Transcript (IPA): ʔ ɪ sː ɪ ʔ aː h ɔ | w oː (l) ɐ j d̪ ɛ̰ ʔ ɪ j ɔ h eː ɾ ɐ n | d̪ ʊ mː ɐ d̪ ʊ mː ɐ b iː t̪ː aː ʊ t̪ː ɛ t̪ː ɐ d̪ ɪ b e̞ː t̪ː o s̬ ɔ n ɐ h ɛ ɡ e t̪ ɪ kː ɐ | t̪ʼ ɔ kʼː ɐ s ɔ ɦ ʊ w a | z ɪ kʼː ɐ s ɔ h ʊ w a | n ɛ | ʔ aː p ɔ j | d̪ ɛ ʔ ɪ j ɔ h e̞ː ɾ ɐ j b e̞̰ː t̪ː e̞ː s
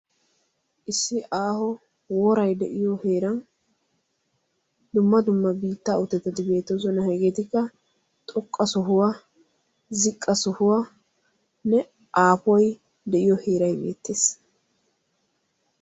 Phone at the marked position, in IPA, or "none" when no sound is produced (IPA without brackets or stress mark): ɾ